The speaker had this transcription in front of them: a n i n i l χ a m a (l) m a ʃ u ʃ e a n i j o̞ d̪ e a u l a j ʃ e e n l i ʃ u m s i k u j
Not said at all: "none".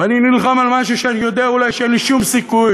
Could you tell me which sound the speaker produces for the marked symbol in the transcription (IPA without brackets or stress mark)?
l